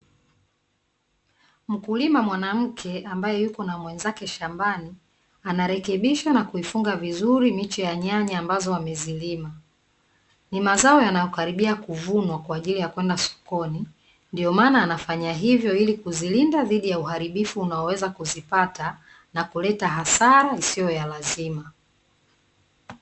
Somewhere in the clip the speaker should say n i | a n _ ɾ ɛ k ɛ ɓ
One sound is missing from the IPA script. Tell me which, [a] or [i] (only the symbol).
a